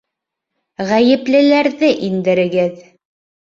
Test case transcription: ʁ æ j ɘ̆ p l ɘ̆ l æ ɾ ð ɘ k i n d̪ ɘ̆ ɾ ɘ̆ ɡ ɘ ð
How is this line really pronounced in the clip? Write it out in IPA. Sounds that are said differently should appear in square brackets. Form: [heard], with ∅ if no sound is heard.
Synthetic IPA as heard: ʁ æ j ɘ̆ p l ɘ̆ l æ ɾ ð ɘ [ʔ] i n d̪ ɘ̆ ɾ ɘ̆ ɡ ɘ ð

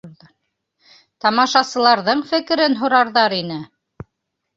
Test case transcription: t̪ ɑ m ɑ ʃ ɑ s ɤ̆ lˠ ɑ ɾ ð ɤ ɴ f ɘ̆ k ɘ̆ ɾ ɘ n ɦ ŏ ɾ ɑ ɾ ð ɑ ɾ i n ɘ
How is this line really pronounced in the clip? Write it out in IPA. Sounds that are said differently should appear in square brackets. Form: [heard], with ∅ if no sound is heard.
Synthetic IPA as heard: t̪ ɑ m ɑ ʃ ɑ s ɤ̆ lˠ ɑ ɾ ð ɤ ɴ f ɘ̆ k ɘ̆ ɾ ɘ n ɦ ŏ ɾ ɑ ɾ ð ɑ ɾ i n ɘ

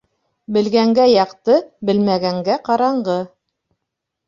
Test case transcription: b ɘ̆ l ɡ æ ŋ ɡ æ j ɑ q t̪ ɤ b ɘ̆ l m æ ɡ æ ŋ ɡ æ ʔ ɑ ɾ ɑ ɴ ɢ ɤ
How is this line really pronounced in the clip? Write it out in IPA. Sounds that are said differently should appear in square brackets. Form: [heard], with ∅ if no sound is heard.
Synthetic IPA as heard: b ɘ̆ l ɡ æ ŋ ɡ æ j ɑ q t̪ ɤ b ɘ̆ l m æ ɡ æ ŋ ɡ æ [q] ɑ ɾ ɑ ɴ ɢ ɤ

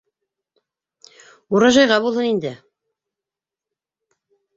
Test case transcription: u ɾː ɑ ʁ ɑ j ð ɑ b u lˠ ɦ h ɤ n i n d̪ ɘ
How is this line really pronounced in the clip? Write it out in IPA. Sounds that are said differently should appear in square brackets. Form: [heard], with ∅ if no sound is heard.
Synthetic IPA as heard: u [ɾ] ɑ [ʒ] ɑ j [ʁ] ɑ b u lˠ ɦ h ɤ n i n d̪ ɘ

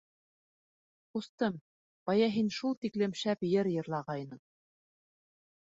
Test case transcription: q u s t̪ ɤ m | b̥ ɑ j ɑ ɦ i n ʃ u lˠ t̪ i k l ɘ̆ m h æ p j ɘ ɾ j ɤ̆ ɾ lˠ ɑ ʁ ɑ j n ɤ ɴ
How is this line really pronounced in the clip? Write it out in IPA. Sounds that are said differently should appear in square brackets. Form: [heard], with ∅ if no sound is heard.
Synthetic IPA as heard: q u s t̪ ɤ m | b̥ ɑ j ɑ ɦ i n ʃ u lˠ t̪ i k l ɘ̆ m [ʃ] æ p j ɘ ɾ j ɤ̆ ɾ lˠ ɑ ʁ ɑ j n ɤ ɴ

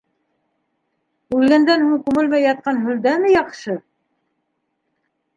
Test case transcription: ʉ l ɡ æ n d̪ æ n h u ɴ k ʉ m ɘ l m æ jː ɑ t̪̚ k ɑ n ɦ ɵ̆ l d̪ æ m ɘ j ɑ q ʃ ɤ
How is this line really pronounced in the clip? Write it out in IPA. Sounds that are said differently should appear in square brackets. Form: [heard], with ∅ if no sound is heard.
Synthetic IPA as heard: ʉ l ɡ æ n d̪ æ n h u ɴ k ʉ m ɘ l m æ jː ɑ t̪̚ [q] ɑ n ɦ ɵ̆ l d̪ æ m ɘ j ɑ q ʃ ɤ

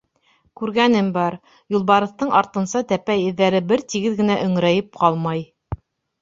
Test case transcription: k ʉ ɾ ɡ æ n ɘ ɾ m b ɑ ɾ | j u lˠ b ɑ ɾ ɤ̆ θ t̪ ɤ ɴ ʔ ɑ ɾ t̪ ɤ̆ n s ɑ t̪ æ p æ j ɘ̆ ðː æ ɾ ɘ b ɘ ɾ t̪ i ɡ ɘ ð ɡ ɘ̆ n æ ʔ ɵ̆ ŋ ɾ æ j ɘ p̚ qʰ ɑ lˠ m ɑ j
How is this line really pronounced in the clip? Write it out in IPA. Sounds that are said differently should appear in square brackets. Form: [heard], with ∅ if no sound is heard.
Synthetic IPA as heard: k ʉ ɾ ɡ æ n ɘ [∅] m b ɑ ɾ | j u lˠ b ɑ ɾ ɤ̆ θ t̪ ɤ ɴ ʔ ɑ ɾ t̪ ɤ̆ n s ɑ t̪ æ p æ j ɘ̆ ðː æ ɾ ɘ b ɘ ɾ t̪ i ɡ ɘ ð ɡ ɘ̆ n æ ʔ ɵ̆ ŋ ɾ æ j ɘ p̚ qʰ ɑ lˠ m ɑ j

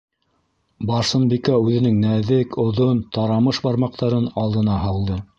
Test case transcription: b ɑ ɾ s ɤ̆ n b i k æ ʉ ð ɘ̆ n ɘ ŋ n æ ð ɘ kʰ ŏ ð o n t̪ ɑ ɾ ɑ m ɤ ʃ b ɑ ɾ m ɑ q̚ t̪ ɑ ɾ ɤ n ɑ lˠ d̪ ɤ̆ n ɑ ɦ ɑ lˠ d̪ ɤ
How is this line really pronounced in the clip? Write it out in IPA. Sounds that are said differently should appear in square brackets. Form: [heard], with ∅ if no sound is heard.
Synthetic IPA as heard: b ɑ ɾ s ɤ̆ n b i k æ ʉ ð ɘ̆ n ɘ ŋ n æ ð ɘ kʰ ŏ ð o n t̪ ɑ ɾ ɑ m ɤ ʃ b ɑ ɾ m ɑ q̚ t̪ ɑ ɾ ɤ n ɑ lˠ d̪ ɤ̆ n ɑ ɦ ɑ lˠ d̪ ɤ

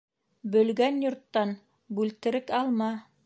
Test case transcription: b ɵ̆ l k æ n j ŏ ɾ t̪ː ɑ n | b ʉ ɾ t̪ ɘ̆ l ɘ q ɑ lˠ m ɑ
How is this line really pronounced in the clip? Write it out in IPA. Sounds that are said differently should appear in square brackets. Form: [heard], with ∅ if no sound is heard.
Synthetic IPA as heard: b ɵ̆ l [ɡ] æ n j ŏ ɾ t̪ː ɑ n | b ʉ [l] t̪ ɘ̆ [ɾ] ɘ [k] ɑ lˠ m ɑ

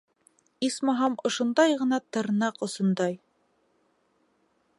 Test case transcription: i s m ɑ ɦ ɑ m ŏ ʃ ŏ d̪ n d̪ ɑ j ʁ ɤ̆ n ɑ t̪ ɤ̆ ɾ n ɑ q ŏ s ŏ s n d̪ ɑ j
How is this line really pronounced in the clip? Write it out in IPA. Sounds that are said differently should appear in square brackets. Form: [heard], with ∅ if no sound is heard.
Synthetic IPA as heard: i s m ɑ ɦ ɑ m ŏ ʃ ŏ [∅] n d̪ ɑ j ʁ ɤ̆ n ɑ t̪ ɤ̆ ɾ n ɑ q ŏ s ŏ [∅] n d̪ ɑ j

